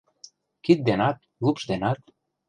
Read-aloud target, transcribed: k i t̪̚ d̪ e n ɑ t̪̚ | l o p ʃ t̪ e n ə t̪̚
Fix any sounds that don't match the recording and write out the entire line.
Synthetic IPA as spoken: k i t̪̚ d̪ e n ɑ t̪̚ | l u p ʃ d̪ e n ɑ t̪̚